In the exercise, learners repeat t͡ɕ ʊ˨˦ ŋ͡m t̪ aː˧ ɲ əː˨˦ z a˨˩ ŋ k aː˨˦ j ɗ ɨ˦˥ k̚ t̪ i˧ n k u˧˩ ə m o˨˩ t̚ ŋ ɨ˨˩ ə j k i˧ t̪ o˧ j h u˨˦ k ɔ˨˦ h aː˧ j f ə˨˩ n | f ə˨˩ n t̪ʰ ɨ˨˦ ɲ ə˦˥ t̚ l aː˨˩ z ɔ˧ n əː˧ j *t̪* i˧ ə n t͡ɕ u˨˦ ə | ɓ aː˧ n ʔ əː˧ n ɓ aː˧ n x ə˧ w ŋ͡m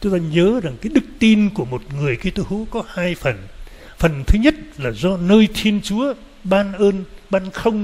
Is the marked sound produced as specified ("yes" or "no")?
no